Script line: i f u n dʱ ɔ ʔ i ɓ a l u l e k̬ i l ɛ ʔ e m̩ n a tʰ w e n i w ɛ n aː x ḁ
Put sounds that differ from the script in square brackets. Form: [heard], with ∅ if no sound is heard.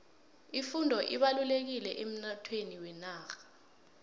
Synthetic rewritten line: i f u n dʱ ɔ ʔ i ɓ a l u l e k̬ i l ɛ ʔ e m̩ n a tʰ w e n i w ɛ n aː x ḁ